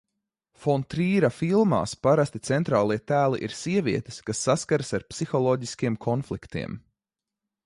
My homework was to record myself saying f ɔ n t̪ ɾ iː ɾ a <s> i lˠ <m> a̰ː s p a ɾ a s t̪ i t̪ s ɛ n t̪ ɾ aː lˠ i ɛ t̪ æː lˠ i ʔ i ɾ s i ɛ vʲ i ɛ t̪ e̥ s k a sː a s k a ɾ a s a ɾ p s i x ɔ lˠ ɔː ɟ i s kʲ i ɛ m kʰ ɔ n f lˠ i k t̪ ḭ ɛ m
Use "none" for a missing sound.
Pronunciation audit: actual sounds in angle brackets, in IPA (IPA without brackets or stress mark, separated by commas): f, m